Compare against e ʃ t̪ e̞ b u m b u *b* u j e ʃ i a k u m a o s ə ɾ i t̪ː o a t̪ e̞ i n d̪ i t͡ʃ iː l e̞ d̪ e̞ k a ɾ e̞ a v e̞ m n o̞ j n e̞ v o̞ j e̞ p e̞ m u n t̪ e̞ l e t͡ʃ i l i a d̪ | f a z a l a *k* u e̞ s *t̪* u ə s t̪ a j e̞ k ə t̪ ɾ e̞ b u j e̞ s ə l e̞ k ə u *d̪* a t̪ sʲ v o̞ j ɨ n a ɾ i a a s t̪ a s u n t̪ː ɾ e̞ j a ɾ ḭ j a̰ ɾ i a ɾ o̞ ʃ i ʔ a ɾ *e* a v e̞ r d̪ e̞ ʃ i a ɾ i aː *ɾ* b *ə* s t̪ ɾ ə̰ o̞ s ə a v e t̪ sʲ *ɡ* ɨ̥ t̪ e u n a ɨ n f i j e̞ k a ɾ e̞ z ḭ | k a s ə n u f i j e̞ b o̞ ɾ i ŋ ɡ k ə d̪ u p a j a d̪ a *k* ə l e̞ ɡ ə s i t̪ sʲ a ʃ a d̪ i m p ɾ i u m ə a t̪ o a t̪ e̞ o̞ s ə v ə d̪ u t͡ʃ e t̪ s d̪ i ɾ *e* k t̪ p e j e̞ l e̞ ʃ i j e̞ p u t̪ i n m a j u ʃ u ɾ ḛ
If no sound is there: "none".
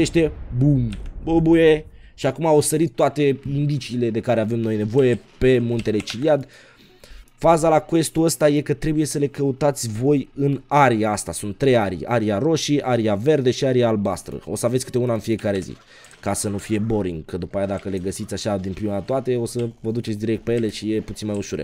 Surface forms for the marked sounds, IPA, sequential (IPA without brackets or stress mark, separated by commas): b, k, t̪, t̪, i, l, a, k, k, e